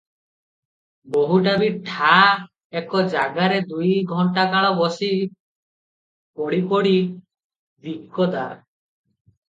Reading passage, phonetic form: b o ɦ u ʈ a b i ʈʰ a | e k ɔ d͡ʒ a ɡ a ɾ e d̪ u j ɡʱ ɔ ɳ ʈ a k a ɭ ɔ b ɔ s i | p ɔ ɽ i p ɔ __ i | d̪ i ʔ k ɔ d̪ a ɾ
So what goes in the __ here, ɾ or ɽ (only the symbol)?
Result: ɽ